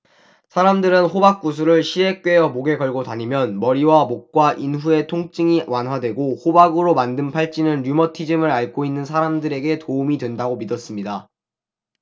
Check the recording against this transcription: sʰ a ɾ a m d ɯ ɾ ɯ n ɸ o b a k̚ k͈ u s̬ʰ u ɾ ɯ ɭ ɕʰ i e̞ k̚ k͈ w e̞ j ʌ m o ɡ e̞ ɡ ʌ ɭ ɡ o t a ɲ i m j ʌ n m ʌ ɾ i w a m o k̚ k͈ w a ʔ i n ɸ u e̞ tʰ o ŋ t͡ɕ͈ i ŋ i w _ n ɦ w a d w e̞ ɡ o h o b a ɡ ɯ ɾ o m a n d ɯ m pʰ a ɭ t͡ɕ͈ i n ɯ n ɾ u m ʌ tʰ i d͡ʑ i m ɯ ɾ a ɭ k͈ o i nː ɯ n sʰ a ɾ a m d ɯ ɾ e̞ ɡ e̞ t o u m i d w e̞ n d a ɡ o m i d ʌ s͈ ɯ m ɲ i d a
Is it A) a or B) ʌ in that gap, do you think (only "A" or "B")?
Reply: A